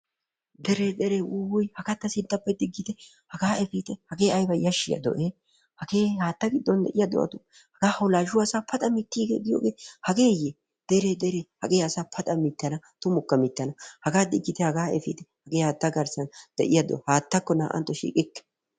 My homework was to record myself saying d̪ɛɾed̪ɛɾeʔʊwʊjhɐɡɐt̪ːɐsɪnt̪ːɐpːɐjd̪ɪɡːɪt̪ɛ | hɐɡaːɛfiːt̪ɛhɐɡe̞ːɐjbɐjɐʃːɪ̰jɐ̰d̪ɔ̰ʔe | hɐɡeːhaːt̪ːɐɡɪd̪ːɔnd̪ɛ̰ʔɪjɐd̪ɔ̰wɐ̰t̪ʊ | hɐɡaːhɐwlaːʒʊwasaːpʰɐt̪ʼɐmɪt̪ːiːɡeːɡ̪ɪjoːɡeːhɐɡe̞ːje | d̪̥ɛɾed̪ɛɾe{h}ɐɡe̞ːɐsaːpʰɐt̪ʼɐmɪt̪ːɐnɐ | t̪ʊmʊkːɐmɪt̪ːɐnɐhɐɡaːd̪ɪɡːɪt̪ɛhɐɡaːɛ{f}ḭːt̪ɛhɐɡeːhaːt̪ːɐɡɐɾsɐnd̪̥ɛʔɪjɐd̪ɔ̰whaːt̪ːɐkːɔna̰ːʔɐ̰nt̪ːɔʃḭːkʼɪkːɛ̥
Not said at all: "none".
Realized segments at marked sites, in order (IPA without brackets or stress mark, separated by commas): h, f